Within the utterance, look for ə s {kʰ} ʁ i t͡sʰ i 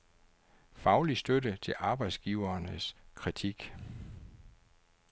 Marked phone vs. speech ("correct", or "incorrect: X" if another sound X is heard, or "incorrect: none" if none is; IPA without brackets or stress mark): correct